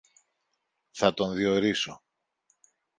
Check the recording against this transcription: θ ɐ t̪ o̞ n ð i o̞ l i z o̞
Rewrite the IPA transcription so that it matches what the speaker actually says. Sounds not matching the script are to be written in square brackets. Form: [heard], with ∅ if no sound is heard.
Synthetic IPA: θ ɐ t̪ o̞ n ð i o̞ [ɾ] i [s] o̞